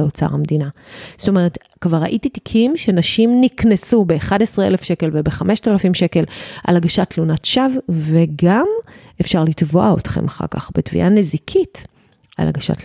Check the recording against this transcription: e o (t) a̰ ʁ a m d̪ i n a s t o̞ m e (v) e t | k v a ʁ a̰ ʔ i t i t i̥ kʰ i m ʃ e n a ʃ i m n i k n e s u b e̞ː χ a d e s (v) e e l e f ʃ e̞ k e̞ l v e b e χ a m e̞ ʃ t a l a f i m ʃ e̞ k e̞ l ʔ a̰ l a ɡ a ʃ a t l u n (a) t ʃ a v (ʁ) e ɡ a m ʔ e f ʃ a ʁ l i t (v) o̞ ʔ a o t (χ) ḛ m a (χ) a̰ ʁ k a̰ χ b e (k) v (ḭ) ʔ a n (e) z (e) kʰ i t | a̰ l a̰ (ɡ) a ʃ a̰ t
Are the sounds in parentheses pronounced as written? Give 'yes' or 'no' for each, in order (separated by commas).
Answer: no, no, no, yes, no, yes, yes, yes, no, yes, yes, no, yes